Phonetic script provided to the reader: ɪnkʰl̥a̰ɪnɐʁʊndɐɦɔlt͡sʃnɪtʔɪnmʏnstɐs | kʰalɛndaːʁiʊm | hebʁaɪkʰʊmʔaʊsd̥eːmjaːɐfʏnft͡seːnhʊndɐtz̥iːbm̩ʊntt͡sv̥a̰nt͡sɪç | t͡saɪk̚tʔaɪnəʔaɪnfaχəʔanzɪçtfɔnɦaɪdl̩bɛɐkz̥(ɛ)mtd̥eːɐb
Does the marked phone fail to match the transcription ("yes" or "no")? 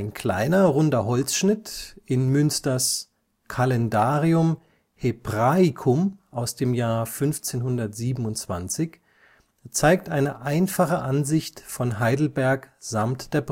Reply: yes